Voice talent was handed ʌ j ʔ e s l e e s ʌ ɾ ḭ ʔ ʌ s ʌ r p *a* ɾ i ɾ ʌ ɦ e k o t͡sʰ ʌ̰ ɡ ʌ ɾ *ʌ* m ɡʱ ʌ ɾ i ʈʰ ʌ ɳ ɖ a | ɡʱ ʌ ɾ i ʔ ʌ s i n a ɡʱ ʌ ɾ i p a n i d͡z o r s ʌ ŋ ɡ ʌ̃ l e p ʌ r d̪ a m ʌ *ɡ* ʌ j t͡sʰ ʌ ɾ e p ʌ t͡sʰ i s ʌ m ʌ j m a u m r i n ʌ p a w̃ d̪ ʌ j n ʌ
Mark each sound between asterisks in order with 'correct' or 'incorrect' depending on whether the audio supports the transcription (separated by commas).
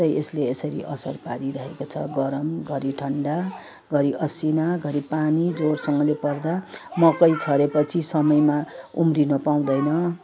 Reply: correct, correct, incorrect